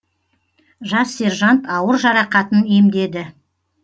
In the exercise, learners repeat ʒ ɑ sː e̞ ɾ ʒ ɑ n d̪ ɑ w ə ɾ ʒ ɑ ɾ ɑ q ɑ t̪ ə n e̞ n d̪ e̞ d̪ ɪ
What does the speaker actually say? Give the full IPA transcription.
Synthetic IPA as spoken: ʒ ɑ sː e̞ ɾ ʒ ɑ n t̪ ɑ w ə ɾ ʒ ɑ ɾ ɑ q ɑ t̪ ə n e̞ m d̪ e̞ d̪ ɪ